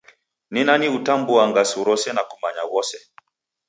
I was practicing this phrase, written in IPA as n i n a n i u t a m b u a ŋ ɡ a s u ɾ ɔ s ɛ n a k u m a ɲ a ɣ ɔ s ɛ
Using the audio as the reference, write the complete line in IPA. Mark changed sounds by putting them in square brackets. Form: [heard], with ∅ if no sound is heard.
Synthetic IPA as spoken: n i n a n i u t a m b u a ŋ ɡ a s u ɾ ɔ s ɛ n a k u m a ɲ a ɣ ɔ s ɛ